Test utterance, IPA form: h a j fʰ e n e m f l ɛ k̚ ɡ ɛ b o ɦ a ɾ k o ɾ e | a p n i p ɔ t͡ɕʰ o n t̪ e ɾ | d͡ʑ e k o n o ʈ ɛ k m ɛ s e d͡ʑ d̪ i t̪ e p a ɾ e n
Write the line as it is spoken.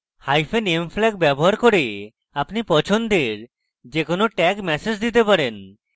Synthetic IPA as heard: h a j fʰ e n e m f l ɛ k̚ b ɛ b o ɦ a ɾ k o ɾ e | a p n i p ɔ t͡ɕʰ o n d̪ e ɾ | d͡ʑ e k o n o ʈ ɛ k m ɛ s e d͡ʑ d̪ i t̪ e p a ɾ e n